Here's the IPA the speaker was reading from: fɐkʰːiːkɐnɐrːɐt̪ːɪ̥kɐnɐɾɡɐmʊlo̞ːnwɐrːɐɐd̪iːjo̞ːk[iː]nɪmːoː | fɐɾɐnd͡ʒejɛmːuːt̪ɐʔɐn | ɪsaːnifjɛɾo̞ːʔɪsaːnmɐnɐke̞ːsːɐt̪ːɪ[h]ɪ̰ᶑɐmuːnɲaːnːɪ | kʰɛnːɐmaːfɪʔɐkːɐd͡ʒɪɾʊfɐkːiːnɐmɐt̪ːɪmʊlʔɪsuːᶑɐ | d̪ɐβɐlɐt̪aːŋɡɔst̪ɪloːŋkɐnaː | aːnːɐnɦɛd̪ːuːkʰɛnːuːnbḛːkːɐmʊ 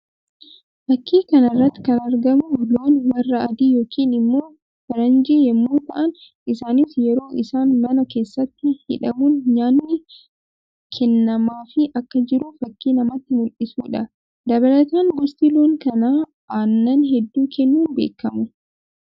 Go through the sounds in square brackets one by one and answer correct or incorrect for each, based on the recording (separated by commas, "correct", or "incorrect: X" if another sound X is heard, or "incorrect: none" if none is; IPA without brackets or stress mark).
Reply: correct, correct